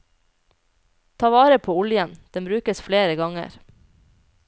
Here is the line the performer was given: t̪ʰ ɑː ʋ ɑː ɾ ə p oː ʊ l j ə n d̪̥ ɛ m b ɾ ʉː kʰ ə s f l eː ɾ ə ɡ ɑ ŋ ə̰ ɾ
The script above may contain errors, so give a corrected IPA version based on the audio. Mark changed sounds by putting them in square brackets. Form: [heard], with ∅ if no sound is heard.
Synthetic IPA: t̪ʰ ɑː ʋ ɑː ɾ ə [pʰ] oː ʊ l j ə n d̪̥ ɛ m b ɾ ʉː [k] ə s f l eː ɾ ə ɡ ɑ ŋ ə̰ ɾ